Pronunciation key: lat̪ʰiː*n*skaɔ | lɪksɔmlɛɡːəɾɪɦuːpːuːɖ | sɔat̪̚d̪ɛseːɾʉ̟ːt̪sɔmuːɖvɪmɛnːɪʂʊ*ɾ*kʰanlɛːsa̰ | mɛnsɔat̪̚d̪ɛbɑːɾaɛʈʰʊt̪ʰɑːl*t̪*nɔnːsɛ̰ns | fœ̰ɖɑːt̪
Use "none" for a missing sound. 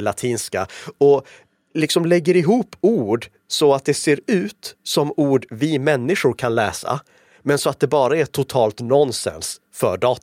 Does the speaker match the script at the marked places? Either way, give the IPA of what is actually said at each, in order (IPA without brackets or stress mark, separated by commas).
n, ɾ, t̪